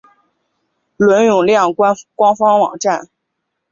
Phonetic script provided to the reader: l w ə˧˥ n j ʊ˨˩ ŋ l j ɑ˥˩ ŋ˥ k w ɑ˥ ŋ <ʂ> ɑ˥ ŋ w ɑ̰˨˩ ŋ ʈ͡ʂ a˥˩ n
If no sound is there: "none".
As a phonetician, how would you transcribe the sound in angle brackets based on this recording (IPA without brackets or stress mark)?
f